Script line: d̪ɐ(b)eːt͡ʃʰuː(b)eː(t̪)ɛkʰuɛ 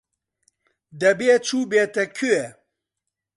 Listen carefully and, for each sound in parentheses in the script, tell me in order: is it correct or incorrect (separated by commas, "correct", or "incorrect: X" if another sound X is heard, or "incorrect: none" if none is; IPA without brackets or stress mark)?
correct, correct, correct